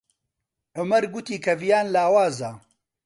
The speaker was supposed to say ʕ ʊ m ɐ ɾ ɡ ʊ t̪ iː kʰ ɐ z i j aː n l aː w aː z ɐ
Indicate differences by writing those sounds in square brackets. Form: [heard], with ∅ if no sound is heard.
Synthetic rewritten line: ʕ ʊ m ɐ ɾ ɡ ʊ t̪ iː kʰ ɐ [v] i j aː n l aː w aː z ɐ